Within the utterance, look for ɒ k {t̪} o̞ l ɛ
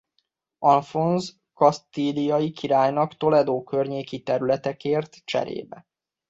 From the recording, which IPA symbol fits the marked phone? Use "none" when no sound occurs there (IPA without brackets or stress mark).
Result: t̪